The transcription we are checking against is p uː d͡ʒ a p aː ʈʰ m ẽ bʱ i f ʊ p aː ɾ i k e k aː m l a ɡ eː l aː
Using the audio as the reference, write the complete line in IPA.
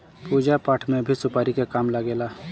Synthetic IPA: p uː d͡ʒ a p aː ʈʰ m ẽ bʱ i s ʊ p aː ɾ i k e k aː m l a ɡ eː l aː